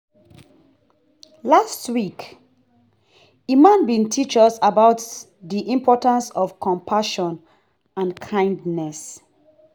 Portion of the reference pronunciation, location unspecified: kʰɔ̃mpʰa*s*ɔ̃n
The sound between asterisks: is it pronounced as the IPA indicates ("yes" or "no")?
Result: no